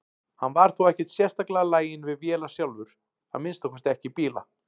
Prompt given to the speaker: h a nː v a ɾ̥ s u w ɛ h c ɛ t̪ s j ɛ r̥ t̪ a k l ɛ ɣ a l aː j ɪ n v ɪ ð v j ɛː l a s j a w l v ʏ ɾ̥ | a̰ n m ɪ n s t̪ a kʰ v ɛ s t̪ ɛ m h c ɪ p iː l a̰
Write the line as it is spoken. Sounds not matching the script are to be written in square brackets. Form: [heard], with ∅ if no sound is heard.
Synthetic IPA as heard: h a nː v a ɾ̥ [θ] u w ɛ h c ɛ t̪ s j ɛ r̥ t̪ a k l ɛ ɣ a l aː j ɪ n v ɪ ð v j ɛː l a s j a w l v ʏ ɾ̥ | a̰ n m ɪ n s t̪ a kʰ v ɛ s t̪ ɛ [∅] h c ɪ p iː l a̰